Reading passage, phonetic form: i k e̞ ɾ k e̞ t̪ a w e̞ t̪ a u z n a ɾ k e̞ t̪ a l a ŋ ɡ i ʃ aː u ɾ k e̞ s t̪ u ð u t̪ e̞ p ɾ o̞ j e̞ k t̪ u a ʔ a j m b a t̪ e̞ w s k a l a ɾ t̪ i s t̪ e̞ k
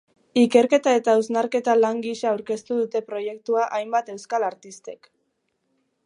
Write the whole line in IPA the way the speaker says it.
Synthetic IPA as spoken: i k e̞ ɾ k e̞ t̪ a e̞ t̪ a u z n a ɾ k e̞ t̪ a l a ŋ ɡ i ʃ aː w ɾ k e̞ s t̪ u ð u t̪ e̞ p ɾ o̞ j e̞ k t̪ u a ʔ a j m b a t̪ e̞ w s k a l a ɾ t̪ i s t̪ e̞ k